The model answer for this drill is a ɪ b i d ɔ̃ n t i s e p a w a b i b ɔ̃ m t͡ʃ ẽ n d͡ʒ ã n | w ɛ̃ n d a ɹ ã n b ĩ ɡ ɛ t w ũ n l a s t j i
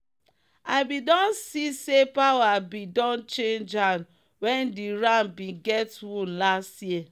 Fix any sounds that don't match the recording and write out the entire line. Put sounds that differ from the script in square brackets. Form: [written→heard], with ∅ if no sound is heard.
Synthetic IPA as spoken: a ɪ b i d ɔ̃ n [t→s] i s e p a w a b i [b→d] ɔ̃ [m→n] t͡ʃ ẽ n d͡ʒ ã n | w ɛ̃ n d [a→i] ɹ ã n b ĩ ɡ ɛ t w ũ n l a s t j i